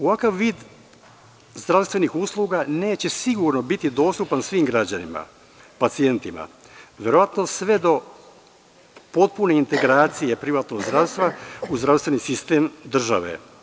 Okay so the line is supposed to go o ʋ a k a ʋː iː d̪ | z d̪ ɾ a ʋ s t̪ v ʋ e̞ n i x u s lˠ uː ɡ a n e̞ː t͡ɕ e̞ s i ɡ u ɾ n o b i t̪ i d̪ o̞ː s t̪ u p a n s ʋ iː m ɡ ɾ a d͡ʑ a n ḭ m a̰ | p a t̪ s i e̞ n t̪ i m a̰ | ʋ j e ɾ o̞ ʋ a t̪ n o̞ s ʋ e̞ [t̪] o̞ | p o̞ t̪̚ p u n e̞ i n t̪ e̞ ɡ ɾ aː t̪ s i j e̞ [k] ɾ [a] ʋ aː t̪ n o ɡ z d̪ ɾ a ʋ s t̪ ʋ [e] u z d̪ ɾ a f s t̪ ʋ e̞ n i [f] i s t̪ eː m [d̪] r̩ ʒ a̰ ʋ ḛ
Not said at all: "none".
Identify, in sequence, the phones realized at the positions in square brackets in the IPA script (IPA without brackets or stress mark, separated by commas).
d̪, p, i, a, s, d̪